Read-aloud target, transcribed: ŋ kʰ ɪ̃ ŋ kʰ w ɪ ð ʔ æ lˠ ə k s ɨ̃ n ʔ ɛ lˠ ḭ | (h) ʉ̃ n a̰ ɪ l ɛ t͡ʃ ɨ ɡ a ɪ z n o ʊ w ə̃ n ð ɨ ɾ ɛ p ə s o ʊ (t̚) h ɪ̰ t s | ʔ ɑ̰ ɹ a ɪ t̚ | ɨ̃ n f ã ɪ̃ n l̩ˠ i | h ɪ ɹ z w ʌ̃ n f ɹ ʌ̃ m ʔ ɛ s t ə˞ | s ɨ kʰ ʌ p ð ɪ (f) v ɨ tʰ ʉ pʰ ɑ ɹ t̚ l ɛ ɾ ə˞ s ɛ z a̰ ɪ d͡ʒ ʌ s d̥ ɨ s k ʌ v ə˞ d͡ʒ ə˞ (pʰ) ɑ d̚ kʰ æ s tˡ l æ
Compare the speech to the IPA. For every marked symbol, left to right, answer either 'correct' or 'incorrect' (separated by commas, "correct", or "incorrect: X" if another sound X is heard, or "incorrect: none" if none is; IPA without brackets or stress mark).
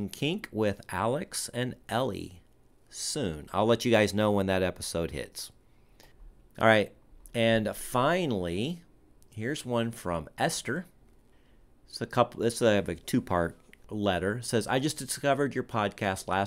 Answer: incorrect: s, incorrect: d̚, incorrect: s, correct